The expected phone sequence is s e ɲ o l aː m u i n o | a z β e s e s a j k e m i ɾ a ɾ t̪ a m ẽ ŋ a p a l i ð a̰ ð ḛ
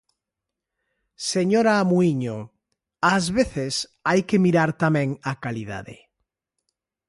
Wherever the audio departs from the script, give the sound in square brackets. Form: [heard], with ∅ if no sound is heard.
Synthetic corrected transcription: s e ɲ o [ɾ] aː m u i [ɲ] o | a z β e [θ] e s a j k e m i ɾ a ɾ t̪ a m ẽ ŋ a [k] a l i ð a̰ ð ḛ